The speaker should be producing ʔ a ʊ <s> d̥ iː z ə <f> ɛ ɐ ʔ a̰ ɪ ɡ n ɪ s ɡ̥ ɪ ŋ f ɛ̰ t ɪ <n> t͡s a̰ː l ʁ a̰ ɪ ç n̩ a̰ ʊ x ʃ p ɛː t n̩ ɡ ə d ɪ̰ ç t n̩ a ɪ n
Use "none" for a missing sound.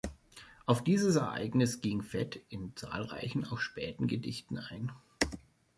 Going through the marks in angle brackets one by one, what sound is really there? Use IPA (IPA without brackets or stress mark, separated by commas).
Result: f, s, n